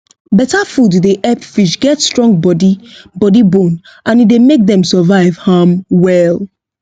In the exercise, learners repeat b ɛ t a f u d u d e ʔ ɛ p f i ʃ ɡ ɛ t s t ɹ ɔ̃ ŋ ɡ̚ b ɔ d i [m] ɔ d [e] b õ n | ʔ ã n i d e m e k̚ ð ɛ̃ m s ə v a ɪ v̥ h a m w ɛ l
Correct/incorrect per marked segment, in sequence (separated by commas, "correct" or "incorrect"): incorrect, incorrect